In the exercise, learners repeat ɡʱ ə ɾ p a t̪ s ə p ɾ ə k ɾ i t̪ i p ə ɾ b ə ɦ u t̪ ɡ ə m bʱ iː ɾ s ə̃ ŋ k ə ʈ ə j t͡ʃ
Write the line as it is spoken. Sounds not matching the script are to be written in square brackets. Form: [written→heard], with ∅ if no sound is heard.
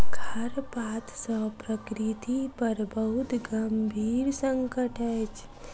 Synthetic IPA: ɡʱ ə ɾ p a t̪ s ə p ɾ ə k ɾ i t̪ i p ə ɾ b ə ɦ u t̪ ɡ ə m bʱ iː ɾ s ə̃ ŋ k ə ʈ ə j t͡ʃ